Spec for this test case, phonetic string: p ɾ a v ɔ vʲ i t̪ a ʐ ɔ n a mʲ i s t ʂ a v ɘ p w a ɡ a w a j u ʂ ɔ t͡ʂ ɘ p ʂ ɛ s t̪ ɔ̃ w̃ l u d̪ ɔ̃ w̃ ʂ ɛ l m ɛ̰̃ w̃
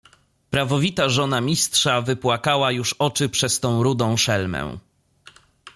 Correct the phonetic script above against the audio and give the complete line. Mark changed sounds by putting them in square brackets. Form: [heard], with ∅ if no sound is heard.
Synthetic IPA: p ɾ a v ɔ vʲ i t̪ a ʐ ɔ n a mʲ i s t ʂ a v ɘ p w a [k] a w a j u ʂ ɔ t͡ʂ ɘ p ʂ ɛ s t̪ ɔ̃ w̃ [ɾ] u d̪ ɔ̃ w̃ ʂ ɛ l m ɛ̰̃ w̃